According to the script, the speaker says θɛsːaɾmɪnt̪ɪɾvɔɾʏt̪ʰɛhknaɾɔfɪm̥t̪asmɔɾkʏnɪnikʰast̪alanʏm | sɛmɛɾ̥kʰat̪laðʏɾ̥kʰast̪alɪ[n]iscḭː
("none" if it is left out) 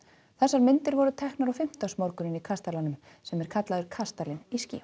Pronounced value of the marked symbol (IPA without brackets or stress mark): n